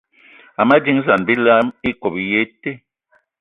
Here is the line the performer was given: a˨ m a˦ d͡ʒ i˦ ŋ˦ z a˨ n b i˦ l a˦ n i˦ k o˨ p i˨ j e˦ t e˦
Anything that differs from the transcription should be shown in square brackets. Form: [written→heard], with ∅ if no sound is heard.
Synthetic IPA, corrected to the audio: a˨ m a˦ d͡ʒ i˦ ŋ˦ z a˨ n b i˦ l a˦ [n→m] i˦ k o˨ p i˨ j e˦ t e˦